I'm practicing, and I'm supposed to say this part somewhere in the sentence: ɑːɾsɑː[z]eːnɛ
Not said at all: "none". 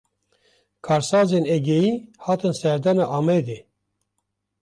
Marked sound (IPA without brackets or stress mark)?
z